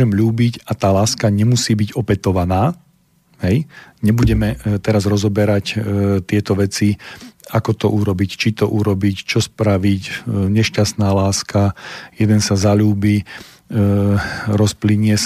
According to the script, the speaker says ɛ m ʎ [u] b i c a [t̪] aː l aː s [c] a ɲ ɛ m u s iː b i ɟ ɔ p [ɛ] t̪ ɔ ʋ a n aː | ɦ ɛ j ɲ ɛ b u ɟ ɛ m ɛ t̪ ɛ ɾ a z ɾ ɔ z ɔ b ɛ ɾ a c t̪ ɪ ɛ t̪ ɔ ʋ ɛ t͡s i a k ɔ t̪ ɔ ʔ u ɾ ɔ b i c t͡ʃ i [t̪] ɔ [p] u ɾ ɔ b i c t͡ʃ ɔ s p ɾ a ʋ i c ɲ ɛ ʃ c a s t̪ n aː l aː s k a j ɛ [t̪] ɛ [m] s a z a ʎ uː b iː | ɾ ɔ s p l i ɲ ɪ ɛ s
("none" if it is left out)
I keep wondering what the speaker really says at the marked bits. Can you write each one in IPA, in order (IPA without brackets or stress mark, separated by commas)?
uː, t̪, k, ɛ, t̪, ʔ, d̪, n